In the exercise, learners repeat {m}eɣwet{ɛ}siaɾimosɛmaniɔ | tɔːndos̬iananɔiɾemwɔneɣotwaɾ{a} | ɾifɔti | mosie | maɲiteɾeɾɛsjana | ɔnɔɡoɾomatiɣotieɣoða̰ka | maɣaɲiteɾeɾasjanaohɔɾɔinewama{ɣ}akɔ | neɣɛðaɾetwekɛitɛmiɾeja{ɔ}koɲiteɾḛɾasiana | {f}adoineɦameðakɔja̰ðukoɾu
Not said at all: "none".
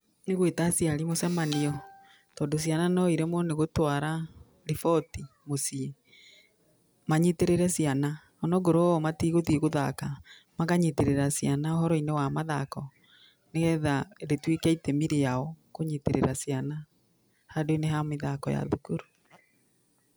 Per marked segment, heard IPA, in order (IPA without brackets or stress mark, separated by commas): n, a, a, ð, ɔ, h